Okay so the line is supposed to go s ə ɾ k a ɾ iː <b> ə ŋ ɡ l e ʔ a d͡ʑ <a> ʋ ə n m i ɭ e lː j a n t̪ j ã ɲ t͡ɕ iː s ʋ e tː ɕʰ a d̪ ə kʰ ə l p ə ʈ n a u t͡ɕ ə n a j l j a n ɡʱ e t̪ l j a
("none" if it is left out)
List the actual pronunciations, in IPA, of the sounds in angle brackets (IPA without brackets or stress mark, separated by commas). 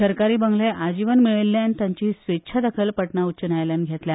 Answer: b, i